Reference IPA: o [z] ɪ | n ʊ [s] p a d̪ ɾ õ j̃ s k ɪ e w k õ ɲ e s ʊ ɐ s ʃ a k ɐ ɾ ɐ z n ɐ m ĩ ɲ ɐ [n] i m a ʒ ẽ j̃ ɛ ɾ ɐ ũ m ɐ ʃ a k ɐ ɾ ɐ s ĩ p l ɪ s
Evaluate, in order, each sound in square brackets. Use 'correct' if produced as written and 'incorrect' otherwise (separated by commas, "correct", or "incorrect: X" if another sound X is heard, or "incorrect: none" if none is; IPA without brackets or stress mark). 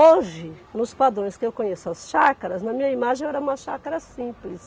incorrect: ʒ, correct, incorrect: none